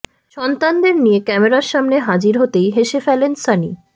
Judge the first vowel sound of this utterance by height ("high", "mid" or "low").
mid